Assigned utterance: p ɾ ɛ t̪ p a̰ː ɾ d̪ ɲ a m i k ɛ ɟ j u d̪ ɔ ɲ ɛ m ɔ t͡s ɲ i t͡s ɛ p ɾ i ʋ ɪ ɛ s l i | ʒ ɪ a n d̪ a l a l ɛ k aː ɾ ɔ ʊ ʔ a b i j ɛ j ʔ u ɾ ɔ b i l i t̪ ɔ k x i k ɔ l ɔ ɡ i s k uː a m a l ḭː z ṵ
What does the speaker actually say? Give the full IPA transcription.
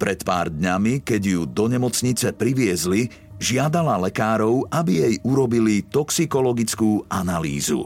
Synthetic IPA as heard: p ɾ ɛ t̪ p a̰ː ɾ d̪ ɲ a m i k ɛ ɟ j u d̪ ɔ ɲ ɛ m ɔ t͡s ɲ i t͡s ɛ p ɾ i ʋ ɪ ɛ z l i | ʒ ɪ a d̪ a l a l ɛ k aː ɾ ɔ ʊ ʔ a b i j ɛ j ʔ u ɾ ɔ b i l i t̪ ɔ k s i k ɔ l ɔ ɡ i t͡s k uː a n a l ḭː z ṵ